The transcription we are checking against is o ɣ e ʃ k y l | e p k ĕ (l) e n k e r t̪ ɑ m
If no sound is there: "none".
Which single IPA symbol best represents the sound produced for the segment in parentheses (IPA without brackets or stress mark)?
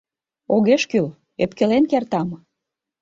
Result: l